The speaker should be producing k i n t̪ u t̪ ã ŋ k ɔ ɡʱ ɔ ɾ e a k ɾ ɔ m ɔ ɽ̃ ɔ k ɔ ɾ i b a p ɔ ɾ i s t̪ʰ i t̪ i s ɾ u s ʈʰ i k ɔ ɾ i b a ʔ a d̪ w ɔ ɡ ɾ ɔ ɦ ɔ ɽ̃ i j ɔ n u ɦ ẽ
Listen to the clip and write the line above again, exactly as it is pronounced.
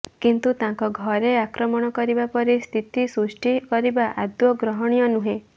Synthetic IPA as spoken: k i n t̪ u t̪ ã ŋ k ɔ ɡʱ ɔ ɾ e a k ɾ ɔ m ɔ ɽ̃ ɔ k ɔ ɾ i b a p ɔ ɾ i s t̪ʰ i t̪ i s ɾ u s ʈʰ i k ɔ ɾ i b a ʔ a d̪ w ɔ ɡ ɾ ɔ ɦ ɔ ɽ̃ i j ɔ n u ɦ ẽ

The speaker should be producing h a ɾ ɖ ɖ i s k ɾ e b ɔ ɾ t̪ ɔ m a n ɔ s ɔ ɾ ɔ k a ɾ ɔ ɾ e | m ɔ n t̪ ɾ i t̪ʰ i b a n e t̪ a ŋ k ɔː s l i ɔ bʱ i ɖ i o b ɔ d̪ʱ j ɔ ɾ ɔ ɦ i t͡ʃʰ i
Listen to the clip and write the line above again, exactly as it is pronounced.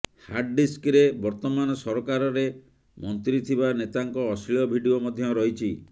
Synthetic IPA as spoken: h a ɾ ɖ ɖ i s k ɾ e b ɔ ɾ t̪ ɔ m a n ɔ s ɔ ɾ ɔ k a ɾ ɔ ɾ e | m ɔ n t̪ ɾ i t̪ʰ i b a n e t̪ a ŋ k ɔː s l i ɔ bʱ i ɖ i o m ɔ d̪ʱ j ɔ ɾ ɔ ɦ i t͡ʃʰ i

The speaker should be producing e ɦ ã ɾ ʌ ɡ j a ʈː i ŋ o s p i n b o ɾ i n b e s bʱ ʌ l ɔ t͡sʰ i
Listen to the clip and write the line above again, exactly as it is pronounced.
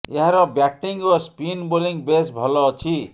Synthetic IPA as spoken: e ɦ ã ɾ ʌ b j a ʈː i ŋ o s p i n b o l i ŋ b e s bʱ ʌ l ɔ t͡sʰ i

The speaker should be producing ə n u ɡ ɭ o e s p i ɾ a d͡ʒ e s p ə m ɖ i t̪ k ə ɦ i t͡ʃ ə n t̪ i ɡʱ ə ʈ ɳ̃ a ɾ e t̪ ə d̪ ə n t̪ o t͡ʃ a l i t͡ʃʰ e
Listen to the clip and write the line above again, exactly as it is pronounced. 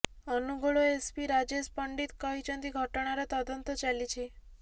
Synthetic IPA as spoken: ə n u ɡ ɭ o e s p i ɾ a d͡ʒ e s p ə ɳ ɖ i t̪ k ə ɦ i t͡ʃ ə n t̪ i ɡʱ ə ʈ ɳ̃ a ɾ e t̪ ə d̪ ə n t̪ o t͡ʃ a l i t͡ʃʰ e

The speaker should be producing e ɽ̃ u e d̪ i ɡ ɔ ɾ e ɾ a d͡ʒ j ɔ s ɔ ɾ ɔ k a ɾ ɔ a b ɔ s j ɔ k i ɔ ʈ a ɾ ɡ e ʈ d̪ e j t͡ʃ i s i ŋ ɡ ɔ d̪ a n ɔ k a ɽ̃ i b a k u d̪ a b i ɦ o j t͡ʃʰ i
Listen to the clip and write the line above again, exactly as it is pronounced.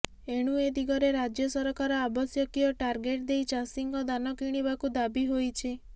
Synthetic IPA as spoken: e ɽ̃ u e d̪ i ɡ ɔ ɾ e ɾ a d͡ʒ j ɔ s ɔ ɾ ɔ k a ɾ ɔ a b ɔ s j ɔ k i ɔ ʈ a ɾ ɡ e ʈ d̪ e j t͡ʃ a s i ŋ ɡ ɔ d̪ a n ɔ k i ɽ̃ i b a k u d̪ a b i ɦ o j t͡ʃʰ i

